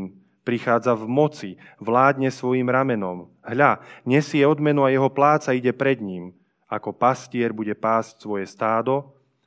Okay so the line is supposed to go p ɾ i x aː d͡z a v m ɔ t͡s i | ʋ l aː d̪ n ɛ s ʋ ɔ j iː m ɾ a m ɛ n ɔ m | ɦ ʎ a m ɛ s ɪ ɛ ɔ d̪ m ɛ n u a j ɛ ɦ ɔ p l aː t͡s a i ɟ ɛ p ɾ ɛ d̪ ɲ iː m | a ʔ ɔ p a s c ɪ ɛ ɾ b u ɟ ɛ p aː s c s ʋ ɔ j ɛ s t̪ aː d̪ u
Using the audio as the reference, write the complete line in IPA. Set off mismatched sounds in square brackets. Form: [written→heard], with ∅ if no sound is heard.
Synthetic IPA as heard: p ɾ i x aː d͡z a v m ɔ t͡s i | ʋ l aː d̪ [n→ɲ] ɛ s ʋ ɔ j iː m ɾ a m ɛ n ɔ m | ɦ ʎ a [m→ɲ] ɛ s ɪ ɛ ɔ d̪ m ɛ n u a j ɛ ɦ ɔ p l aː t͡s a i ɟ ɛ p ɾ ɛ d̪ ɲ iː m | a [ʔ→k] ɔ p a s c ɪ ɛ ɾ b u ɟ ɛ p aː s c s ʋ ɔ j ɛ s t̪ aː d̪ [u→ɔ]